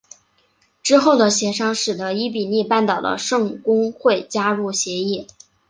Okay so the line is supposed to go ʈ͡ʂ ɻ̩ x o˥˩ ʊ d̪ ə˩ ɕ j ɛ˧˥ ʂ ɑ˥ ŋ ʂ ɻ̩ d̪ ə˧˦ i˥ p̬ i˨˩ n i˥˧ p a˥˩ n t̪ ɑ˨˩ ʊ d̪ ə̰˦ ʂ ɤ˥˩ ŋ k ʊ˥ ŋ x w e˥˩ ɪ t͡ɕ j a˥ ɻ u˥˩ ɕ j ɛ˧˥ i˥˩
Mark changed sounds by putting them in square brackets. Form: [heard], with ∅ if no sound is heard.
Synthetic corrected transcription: ʈ͡ʂ ɻ̩ x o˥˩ ʊ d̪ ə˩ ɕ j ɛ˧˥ ʂ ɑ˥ ŋ ʂ ɻ̩ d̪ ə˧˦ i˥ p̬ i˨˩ n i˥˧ p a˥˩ n t̪ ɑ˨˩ ʊ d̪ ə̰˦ ʂ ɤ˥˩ ŋ k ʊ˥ ŋ x w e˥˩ ɪ t͡ɕ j a˥ ɻ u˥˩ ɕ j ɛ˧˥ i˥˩